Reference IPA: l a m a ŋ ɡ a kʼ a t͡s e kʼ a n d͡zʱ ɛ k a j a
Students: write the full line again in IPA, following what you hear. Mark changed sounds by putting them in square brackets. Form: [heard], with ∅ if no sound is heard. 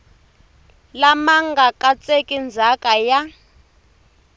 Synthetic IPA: l a m a ŋ ɡ a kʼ a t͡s e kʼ [i] n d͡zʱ [a] k a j a

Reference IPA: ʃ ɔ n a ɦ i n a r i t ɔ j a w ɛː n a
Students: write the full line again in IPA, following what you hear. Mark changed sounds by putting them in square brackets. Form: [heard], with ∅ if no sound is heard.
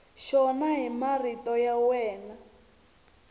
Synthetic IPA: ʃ ɔ n a ɦ i [m] a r i t ɔ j a w ɛː n a

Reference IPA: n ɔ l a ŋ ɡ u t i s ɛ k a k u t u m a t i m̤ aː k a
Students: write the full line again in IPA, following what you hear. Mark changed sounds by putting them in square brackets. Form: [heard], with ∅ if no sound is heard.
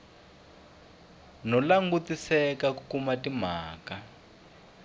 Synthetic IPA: n ɔ l a ŋ ɡ u t i s ɛ k a k u [k] u m a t i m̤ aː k a

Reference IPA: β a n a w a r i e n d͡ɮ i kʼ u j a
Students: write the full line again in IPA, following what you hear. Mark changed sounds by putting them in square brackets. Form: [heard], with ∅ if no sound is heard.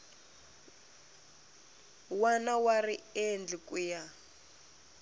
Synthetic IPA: [w] a n a w a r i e n d͡ɮ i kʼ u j a

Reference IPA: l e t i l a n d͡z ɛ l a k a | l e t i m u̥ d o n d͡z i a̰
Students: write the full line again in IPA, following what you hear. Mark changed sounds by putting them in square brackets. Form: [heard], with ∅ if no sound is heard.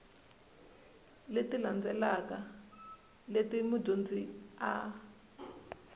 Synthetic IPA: l e t i l a n d͡z ɛ l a k a | l e t i m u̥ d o n d͡z i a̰

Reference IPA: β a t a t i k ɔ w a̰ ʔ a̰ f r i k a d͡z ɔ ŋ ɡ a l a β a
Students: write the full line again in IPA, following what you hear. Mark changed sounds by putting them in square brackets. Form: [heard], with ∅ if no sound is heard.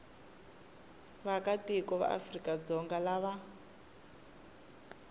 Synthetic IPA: β a [k] a t i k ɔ [β] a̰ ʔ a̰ f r i k a d͡z ɔ ŋ ɡ a l a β a

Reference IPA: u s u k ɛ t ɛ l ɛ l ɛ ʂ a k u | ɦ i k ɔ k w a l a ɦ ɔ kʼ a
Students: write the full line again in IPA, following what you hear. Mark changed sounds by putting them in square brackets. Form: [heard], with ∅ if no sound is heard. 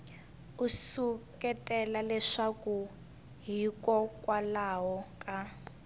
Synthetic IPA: u s u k ɛ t ɛ l [a] l ɛ ʂ a k u | ɦ i k ɔ k w a l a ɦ ɔ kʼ a

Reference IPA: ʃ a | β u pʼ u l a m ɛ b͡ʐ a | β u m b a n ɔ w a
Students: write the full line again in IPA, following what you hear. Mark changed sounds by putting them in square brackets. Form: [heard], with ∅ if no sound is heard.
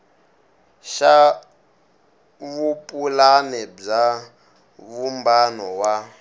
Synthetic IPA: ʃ a | β u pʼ u l a [n] ɛ b͡ʐ a | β u m b a n ɔ w a

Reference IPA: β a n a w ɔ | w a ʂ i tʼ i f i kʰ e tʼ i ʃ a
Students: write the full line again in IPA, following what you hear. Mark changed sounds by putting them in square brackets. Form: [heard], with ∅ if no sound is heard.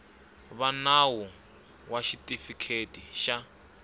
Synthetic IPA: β a n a w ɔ | w a [ʃ] i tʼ i f i kʰ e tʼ i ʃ a

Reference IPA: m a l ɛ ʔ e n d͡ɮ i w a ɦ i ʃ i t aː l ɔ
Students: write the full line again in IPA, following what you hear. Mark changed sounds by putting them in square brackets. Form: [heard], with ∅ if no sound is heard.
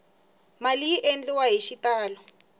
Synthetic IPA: m a l [i] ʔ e n d͡ɮ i w a ɦ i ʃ i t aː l ɔ

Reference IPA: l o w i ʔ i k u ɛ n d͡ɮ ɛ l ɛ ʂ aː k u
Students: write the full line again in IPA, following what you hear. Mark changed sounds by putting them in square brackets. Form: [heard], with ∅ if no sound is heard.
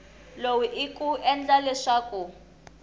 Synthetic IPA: l o w i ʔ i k u ɛ n d͡ɮ [a] l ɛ ʂ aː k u

